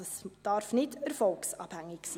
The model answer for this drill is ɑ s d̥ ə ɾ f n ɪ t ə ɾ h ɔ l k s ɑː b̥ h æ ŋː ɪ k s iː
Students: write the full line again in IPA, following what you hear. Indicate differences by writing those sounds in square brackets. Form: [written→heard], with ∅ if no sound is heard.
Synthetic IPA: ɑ s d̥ [ə→ɑ] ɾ f n ɪ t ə ɾ [h→f] ɔ l k s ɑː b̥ h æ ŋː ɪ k s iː